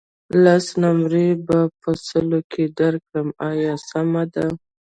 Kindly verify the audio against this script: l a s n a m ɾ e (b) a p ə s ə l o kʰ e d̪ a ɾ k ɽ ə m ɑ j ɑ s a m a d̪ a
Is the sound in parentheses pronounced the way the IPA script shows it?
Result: yes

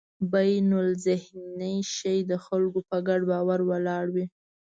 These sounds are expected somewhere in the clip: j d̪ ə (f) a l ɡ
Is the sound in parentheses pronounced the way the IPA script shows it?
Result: no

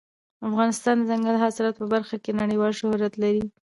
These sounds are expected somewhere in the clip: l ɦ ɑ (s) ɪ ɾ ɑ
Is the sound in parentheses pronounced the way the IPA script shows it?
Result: yes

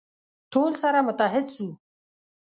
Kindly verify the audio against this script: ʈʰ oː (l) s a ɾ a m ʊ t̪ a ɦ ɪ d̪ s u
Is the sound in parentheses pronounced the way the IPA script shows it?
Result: yes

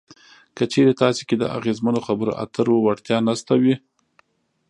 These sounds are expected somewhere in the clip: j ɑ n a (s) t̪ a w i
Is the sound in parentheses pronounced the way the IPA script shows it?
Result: yes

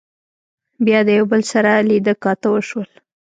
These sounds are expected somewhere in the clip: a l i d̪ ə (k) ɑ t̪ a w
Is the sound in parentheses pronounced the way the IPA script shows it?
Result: yes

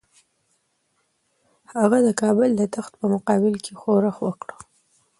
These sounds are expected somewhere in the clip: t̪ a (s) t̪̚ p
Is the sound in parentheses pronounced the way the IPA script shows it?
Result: no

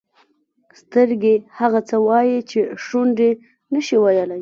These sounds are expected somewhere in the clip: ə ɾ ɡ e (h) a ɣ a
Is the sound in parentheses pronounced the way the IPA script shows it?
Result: yes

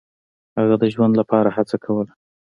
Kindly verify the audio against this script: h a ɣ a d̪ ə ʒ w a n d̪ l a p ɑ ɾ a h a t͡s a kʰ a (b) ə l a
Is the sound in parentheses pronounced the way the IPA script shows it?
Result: no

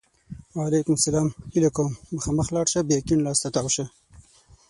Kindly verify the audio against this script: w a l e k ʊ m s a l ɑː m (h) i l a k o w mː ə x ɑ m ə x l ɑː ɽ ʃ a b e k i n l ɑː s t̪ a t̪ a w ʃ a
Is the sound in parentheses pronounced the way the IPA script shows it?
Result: yes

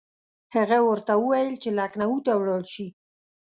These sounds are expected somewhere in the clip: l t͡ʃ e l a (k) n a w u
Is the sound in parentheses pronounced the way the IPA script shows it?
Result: yes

